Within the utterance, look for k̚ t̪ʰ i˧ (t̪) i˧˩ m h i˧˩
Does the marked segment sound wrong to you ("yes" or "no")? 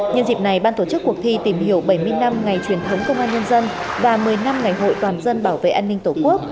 no